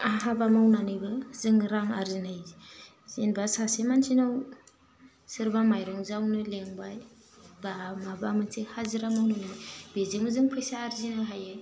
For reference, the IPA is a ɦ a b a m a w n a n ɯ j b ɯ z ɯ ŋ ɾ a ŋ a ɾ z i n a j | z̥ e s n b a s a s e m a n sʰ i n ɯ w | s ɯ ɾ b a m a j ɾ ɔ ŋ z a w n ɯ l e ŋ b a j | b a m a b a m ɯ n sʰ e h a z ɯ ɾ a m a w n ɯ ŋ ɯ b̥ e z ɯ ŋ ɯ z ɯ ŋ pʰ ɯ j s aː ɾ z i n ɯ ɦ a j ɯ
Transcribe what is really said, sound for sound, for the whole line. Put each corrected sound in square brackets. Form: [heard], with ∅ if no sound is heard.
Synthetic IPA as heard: a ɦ a b a m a w n a n ɯ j b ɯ z ɯ ŋ ɾ a ŋ a ɾ z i n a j | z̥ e [∅] n b a s a s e m a n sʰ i n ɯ w | s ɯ ɾ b a m a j ɾ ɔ ŋ z a w n ɯ l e ŋ b a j | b a m a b a m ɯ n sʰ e h a z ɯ ɾ a m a w n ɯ [n] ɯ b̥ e z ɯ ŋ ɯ z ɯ ŋ pʰ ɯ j s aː ɾ z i n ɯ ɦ a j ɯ

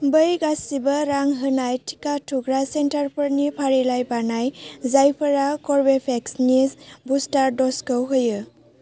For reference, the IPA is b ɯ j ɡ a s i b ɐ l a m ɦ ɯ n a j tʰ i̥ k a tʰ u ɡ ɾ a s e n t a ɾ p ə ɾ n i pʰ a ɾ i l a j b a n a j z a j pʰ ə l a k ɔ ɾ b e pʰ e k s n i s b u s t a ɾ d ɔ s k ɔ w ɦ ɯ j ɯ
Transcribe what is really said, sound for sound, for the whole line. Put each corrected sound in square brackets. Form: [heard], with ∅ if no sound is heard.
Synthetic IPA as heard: b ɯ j ɡ a s i b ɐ [ɾ] a [ŋ] ɦ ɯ n a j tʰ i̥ k a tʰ u ɡ ɾ a s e n t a ɾ p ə ɾ n i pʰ a ɾ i l a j b a n a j z a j pʰ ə [ɾ] a k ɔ ɾ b e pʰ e k s n i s b u s t a ɾ d ɔ s k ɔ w ɦ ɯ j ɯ

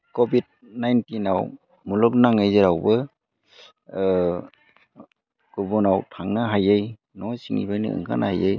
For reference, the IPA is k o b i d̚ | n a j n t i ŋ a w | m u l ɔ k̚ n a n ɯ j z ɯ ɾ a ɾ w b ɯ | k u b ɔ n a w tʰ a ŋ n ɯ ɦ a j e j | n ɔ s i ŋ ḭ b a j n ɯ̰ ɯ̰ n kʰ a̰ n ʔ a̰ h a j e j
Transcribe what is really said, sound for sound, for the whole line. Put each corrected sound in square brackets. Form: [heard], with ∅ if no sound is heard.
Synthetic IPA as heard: k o b i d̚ | n a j n t i [n] a w | m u l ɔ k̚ n a [ŋ] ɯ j z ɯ ɾ a [∅] w b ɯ | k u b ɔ n a w tʰ a ŋ n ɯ ɦ a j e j | n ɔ s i ŋ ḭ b a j n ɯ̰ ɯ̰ [ŋ] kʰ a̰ n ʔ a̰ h a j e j

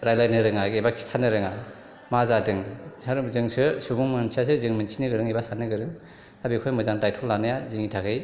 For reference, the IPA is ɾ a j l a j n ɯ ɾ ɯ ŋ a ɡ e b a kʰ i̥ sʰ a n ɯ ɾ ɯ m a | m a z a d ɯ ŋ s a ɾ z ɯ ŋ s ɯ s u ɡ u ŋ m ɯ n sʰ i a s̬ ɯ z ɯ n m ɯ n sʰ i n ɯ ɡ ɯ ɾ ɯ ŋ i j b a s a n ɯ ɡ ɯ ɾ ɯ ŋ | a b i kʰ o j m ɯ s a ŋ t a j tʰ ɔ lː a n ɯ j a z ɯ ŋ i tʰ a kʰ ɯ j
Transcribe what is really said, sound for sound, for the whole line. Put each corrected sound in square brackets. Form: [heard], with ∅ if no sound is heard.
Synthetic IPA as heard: ɾ a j l a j n ɯ ɾ ɯ ŋ a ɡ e b a kʰ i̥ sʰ a n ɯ ɾ ɯ [ŋ] a | m a z a d ɯ ŋ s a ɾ z ɯ ŋ s ɯ s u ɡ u ŋ m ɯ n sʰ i a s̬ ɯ z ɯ [ŋ] m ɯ n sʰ i n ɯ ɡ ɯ ɾ ɯ ŋ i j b a s a n ɯ ɡ ɯ ɾ ɯ ŋ | a b i kʰ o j m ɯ [z] a ŋ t a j tʰ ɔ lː a n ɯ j a z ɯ ŋ i tʰ a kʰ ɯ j

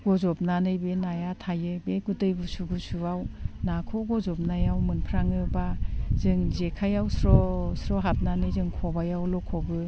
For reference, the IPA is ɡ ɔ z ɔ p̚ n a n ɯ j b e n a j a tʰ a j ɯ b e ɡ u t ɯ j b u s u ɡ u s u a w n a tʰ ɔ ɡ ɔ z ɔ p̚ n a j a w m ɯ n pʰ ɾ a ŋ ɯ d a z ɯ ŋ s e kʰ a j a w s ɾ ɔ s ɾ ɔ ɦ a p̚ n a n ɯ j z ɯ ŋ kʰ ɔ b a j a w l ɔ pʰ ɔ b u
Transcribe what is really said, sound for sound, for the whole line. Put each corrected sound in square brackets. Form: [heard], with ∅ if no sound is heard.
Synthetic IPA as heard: ɡ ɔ z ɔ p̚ n a n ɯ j b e n a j a tʰ a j ɯ b e ɡ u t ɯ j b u s u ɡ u s u a w n a [kʰ] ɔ ɡ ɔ z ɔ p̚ n a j a w m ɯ n pʰ ɾ a ŋ ɯ [b] a z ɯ ŋ [z] e kʰ a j a w s ɾ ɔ s ɾ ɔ ɦ a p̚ n a n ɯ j z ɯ ŋ kʰ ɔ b a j a w l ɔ [kʰ] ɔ b [ɯ]

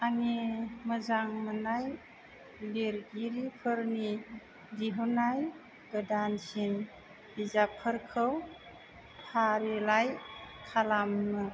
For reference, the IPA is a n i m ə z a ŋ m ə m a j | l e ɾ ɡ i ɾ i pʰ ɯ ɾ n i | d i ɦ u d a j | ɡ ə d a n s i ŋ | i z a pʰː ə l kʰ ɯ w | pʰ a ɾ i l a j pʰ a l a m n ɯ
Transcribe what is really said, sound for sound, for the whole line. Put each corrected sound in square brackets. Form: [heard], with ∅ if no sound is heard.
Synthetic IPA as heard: a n i m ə z a ŋ m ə [n] a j | l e ɾ ɡ i ɾ i pʰ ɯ ɾ n i | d i ɦ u [n] a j | ɡ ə d a n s i [n] | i z a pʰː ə [ɾ] kʰ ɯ w | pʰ a ɾ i l a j [kʰ] a l a m n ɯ

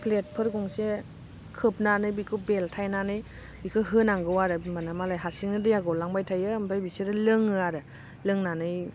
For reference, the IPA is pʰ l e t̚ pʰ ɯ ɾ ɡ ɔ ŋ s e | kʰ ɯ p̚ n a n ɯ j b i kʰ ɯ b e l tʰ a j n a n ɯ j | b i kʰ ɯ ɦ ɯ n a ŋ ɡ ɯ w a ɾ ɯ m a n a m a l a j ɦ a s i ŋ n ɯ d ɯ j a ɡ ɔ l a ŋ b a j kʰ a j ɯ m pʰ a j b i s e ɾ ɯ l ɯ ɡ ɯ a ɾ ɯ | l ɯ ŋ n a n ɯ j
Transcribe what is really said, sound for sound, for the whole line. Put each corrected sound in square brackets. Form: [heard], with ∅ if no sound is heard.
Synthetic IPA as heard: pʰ l e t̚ pʰ ɯ ɾ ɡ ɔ ŋ s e | kʰ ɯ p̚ n a n ɯ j b i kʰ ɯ b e l tʰ a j n a n ɯ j | b i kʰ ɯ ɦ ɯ n a ŋ ɡ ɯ w a ɾ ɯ m a n a m a l a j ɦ a s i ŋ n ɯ d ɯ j a ɡ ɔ l a ŋ b a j [tʰ] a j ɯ m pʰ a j b i s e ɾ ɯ l ɯ [ŋ] ɯ a ɾ ɯ | l ɯ ŋ n a n ɯ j

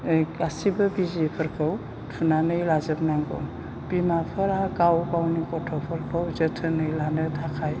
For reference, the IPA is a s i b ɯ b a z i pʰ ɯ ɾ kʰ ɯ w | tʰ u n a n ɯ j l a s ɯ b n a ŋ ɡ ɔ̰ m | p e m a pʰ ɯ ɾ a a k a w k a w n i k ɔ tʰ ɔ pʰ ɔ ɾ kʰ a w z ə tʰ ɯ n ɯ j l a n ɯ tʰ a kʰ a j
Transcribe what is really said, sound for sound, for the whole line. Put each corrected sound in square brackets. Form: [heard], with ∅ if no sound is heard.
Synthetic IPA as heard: a s i b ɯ b [i] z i pʰ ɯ ɾ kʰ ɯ w | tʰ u n a n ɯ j l a [z] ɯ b n a ŋ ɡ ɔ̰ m | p [i] m a pʰ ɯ ɾ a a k a w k a w n i k ɔ tʰ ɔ pʰ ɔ ɾ kʰ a w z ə tʰ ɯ n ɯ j l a n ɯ tʰ a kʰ a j

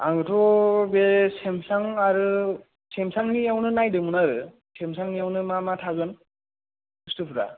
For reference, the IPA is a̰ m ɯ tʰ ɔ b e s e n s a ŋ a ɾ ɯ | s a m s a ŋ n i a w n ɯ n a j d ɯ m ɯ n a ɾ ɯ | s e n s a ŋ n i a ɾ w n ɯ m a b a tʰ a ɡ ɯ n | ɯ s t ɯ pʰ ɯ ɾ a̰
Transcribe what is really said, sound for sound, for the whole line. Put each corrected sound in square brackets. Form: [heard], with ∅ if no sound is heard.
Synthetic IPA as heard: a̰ [ŋ] ɯ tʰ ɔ b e s e [m] s a ŋ a ɾ ɯ | s [e] m s a ŋ n i a w n ɯ n a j d ɯ m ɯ n a ɾ ɯ | s e [m] s a ŋ n i a [∅] w n ɯ m a [m] a tʰ a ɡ ɯ n | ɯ s t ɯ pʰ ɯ ɾ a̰

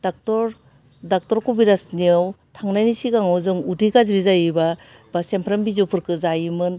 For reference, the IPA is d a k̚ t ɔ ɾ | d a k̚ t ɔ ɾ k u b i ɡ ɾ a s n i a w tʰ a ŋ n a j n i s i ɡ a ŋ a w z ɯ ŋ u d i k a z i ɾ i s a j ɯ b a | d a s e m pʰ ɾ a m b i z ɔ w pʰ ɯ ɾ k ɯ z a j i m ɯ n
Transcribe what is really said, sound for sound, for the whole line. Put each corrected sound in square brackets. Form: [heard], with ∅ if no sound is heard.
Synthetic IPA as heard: d a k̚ t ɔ ɾ | d a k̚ t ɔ ɾ k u b i [∅] ɾ a s n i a w tʰ a ŋ n a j n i s i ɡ a ŋ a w z ɯ ŋ u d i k a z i ɾ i [z] a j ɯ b a | [b] a s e m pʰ ɾ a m b i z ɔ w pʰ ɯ ɾ k ɯ z a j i m ɯ n

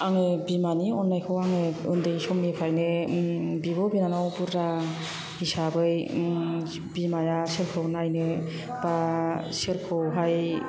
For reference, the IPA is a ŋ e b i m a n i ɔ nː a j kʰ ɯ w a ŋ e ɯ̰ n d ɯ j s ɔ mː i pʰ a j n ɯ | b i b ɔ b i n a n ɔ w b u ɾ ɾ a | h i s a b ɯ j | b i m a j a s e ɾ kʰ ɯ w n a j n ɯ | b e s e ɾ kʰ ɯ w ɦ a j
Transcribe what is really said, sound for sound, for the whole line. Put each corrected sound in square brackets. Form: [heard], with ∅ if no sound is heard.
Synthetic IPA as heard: a ŋ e b i m a n i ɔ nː a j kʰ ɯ w a ŋ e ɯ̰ n d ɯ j s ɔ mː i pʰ a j n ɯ | b i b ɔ b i n a n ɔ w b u ɾ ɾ a | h i s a b ɯ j | b i m a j a s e ɾ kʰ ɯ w n a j n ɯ | b [a] s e ɾ kʰ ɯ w ɦ a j

